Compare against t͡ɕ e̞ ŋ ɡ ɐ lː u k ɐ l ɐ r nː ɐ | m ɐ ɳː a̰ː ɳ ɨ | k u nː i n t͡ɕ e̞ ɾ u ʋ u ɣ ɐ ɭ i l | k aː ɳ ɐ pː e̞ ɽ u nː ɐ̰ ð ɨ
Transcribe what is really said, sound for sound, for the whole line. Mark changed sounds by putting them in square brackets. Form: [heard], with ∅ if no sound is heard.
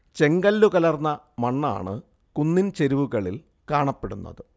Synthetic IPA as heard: t͡ɕ e̞ ŋ ɡ ɐ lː u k ɐ l ɐ r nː ɐ | m ɐ ɳː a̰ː ɳ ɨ | k u nː i n t͡ɕ e̞ ɾ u ʋ u ɣ ɐ ɭ i l | k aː ɳ ɐ pː e̞ ɽ u nː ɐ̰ ð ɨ